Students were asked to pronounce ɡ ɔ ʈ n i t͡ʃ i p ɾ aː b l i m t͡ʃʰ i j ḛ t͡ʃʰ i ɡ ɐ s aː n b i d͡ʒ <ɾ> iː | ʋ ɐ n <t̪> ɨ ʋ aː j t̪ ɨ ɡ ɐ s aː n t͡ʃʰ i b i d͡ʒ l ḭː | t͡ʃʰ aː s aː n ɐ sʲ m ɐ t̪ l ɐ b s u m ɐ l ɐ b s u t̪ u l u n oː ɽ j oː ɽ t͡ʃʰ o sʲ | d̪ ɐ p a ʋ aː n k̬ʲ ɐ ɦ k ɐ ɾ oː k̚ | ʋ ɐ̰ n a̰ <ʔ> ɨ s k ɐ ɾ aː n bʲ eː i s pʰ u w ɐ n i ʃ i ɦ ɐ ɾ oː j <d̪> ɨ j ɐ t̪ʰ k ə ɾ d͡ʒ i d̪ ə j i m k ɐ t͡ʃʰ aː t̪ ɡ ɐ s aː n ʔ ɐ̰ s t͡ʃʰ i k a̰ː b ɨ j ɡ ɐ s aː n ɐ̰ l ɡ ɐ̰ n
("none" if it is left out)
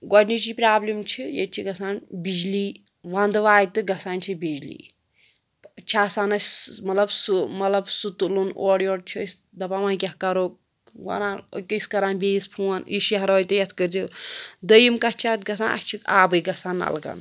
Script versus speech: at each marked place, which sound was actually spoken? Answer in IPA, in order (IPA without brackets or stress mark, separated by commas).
l, d̪, k, t̪